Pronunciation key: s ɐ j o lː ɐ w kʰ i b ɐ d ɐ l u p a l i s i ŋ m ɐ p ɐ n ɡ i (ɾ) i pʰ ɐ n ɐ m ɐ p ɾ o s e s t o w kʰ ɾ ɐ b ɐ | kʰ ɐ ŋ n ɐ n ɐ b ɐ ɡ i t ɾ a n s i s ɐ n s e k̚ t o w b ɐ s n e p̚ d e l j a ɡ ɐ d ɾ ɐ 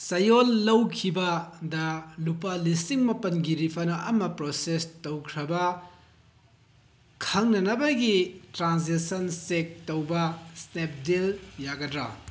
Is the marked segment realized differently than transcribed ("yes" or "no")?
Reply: no